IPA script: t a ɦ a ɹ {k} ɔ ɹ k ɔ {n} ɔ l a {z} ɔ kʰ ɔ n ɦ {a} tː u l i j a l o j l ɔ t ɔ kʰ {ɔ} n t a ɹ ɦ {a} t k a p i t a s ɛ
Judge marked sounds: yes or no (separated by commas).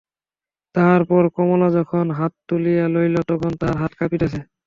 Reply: no, no, yes, yes, yes, yes